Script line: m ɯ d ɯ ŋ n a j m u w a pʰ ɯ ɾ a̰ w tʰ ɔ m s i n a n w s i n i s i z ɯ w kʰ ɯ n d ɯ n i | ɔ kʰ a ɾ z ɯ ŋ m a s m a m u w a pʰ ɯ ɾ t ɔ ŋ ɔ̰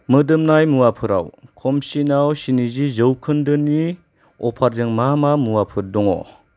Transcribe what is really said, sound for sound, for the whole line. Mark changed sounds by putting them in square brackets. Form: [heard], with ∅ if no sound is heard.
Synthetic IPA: m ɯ d ɯ [m] n a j m u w a pʰ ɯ ɾ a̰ w [kʰ] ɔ m s i n a [∅] w s i n i [z] i z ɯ w kʰ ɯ n d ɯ n i | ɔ [pʰ] a ɾ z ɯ ŋ m a [∅] m a m u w a pʰ ɯ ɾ [d] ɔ ŋ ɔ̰